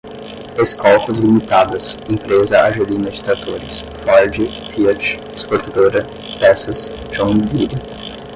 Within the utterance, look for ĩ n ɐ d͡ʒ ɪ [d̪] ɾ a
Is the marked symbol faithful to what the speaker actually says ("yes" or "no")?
no